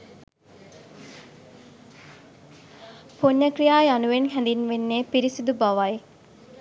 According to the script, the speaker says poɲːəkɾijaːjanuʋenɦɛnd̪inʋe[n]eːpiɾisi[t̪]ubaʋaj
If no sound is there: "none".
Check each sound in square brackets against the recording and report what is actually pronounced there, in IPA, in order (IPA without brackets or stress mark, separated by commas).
nː, d̪